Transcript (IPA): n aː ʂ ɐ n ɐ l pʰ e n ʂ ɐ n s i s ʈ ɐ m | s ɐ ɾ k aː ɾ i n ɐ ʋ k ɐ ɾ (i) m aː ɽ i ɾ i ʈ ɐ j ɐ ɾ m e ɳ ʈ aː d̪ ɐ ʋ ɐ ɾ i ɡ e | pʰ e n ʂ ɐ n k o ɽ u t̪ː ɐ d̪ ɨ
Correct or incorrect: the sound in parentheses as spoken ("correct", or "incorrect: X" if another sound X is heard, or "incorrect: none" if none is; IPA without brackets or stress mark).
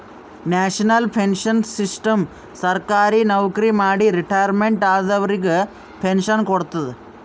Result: correct